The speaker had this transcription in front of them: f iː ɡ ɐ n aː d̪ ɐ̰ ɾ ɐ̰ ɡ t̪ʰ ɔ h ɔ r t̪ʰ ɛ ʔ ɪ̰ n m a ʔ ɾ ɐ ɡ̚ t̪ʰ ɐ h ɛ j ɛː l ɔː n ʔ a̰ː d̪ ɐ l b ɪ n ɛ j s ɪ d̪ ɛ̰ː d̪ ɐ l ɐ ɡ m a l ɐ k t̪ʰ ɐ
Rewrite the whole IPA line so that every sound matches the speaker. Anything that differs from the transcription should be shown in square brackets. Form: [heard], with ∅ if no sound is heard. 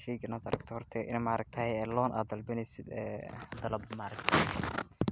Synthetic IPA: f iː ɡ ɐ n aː d̪ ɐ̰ ɾ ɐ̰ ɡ t̪ʰ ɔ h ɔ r t̪ʰ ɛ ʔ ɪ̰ n m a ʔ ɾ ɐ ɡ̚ t̪ʰ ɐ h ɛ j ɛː l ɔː n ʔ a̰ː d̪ ɐ l b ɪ n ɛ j s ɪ d̪ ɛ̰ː d̪ ɐ l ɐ [b] m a [ɾ] ɐ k t̪ʰ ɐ